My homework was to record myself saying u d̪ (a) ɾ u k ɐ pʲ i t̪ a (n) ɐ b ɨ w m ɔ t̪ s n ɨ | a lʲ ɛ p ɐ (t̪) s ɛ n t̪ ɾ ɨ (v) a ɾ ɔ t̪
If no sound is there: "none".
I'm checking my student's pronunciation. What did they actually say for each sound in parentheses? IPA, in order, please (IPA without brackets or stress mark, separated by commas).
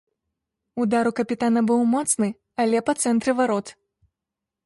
a, n, t̪, v